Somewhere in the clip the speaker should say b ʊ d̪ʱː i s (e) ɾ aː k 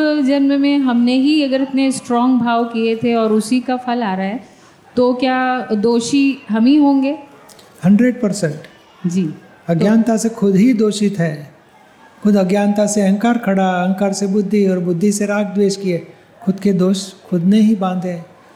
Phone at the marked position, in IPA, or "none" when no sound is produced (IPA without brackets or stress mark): e